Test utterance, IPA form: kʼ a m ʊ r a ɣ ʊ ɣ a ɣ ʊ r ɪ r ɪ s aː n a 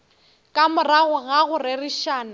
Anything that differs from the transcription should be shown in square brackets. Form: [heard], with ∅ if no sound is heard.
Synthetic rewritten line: kʼ a m ʊ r a ɣ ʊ ɣ a ɣ ʊ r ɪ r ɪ [ʃ] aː n a

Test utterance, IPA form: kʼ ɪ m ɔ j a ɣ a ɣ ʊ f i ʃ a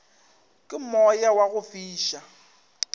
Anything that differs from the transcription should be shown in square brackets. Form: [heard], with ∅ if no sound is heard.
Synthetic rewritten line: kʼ ɪ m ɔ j a [w] a ɣ ʊ f [iː] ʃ a

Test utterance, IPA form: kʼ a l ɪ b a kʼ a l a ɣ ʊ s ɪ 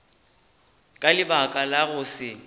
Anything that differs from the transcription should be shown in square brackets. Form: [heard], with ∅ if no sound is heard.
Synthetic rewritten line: kʼ a l ɪ b a kʼ a l a ɣ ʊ s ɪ

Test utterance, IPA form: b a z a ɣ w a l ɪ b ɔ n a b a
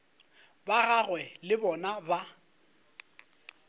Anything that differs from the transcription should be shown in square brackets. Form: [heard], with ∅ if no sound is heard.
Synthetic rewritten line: b a [ɣ] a ɣ w [ɛ] l ɪ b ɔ n a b a

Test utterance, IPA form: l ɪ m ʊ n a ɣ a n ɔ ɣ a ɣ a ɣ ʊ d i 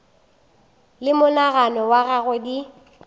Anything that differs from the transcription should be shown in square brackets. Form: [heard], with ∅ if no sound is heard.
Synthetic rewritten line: l ɪ m ʊ n a ɣ a n ɔ [w] a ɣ a ɣ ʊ d i

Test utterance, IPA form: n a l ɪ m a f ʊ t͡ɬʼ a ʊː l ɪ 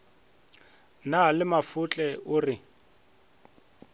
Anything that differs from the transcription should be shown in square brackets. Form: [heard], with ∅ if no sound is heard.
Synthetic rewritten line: n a l ɪ m a f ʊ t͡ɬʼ [ɛ] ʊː [r] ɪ

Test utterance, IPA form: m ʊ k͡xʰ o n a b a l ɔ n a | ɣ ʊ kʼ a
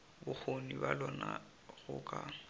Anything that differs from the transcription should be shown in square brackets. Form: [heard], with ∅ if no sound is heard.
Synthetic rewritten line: [b] ʊ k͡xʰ o n [i] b a l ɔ n a | ɣ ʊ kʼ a

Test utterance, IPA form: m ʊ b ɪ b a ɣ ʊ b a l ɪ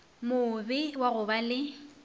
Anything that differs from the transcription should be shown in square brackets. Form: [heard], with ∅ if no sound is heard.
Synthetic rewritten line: m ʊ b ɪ [w] a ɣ ʊ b a l ɪ

